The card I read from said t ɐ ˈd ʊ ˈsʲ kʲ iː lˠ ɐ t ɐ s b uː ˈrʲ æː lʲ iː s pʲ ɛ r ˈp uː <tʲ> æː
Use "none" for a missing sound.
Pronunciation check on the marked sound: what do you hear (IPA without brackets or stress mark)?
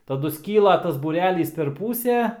sʲ